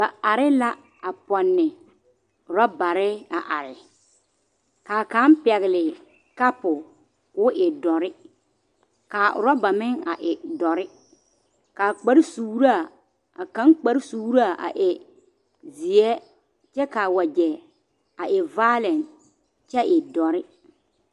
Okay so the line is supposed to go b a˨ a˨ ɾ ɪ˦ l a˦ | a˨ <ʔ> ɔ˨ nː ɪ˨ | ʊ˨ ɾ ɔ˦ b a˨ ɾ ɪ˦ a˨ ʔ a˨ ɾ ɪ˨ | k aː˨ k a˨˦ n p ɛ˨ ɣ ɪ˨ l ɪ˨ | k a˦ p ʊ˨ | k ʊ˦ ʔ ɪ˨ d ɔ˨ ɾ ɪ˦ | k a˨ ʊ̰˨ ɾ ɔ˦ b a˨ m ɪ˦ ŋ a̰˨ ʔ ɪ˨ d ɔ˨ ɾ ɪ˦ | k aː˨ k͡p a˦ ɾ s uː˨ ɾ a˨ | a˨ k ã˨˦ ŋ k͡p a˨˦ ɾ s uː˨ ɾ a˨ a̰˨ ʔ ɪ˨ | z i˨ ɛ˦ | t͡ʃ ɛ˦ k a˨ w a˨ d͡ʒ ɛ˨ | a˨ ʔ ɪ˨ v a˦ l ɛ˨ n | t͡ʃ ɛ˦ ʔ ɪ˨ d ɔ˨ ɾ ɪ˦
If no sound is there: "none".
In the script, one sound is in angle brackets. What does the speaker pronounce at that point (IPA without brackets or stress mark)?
p